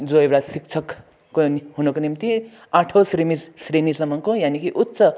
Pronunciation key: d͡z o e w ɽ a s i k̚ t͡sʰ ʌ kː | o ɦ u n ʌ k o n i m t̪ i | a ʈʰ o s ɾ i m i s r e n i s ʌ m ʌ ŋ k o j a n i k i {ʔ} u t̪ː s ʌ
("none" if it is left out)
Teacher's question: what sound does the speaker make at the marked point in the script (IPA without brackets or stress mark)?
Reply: ʔ